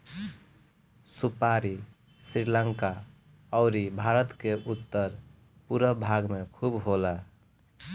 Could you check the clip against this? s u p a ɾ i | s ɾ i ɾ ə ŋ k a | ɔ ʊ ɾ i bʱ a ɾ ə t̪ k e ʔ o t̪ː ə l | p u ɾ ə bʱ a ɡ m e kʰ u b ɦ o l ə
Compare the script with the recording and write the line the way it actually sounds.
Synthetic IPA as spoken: s u p a ɾ i | s ɾ i l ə ŋ k a | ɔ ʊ ɾ i bʱ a ɾ ə t̪ k e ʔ u t̪ː ə ɾ | p u ɾ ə bʱ a ɡ m e kʰ u b ɦ o l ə